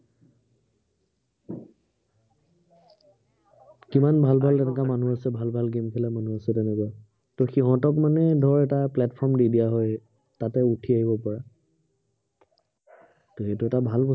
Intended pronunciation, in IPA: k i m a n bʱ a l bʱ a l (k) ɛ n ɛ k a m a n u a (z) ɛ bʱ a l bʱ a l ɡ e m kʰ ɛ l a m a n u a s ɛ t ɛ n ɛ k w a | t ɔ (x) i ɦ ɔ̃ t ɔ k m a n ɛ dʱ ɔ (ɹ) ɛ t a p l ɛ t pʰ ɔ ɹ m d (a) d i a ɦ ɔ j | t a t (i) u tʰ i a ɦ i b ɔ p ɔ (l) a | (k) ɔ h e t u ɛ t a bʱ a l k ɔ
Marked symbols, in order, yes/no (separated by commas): no, no, yes, yes, no, no, no, no